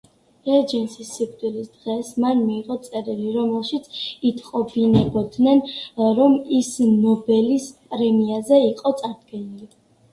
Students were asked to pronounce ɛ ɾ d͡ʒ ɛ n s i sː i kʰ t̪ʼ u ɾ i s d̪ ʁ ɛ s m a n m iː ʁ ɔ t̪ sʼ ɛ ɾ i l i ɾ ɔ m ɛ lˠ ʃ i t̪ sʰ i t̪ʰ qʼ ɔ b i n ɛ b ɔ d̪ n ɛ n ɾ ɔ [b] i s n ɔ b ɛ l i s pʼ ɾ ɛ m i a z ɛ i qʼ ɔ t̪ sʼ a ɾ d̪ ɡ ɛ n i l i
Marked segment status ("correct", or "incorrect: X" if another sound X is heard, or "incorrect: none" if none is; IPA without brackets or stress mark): incorrect: m